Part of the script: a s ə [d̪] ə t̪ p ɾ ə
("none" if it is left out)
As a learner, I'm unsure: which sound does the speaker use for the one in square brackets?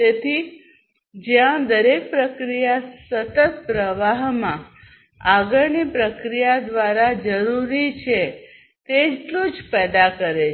t̪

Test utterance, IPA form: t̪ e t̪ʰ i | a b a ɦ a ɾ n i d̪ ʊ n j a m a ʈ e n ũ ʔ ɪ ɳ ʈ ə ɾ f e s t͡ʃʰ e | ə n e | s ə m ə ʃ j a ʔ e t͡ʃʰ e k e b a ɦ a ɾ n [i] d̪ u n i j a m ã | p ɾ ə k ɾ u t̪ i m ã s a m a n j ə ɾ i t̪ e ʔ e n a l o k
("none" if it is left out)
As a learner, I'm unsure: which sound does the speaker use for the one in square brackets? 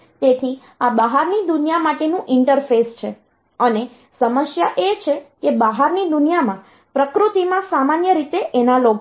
i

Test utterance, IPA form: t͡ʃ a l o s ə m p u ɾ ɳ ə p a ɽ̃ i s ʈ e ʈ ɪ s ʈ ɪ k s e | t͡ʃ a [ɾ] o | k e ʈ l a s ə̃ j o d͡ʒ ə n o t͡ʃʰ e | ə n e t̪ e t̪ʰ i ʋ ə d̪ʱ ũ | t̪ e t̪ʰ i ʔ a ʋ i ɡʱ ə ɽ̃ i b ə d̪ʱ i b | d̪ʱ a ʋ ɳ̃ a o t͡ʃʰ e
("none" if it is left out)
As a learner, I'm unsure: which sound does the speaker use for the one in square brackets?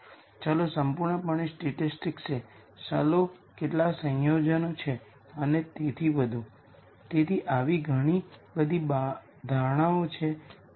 l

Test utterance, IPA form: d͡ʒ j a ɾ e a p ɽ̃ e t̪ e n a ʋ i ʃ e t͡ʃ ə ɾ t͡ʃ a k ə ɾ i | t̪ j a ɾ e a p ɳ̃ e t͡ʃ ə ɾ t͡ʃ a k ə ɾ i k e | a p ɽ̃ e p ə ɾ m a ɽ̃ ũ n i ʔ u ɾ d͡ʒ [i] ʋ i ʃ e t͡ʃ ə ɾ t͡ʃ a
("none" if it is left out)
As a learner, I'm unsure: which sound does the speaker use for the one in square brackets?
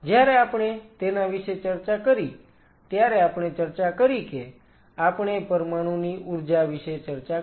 a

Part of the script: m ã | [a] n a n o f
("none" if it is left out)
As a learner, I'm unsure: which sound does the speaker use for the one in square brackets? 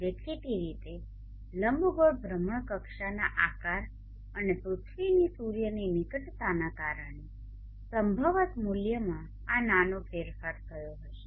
a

